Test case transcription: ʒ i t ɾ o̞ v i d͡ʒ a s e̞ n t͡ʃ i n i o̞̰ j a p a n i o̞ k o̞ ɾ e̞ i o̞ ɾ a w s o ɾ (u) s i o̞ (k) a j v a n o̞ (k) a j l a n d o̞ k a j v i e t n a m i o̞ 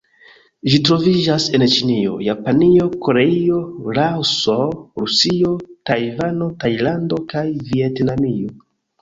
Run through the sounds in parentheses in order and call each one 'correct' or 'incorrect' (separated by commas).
correct, incorrect, incorrect